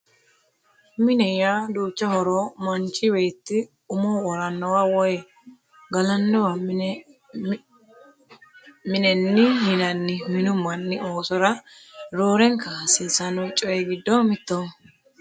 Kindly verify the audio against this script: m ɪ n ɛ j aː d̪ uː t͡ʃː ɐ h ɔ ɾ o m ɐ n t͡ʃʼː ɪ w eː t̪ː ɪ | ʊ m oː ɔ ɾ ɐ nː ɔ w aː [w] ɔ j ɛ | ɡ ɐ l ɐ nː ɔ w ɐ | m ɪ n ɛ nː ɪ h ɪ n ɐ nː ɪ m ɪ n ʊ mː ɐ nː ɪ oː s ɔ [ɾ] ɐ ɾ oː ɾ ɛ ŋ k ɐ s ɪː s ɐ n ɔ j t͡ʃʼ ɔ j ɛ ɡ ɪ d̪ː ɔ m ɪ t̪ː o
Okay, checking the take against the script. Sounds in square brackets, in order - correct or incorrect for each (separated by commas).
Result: correct, correct